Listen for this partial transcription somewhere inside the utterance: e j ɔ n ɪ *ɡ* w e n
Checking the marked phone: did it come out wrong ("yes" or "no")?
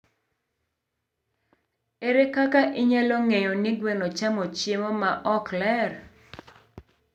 no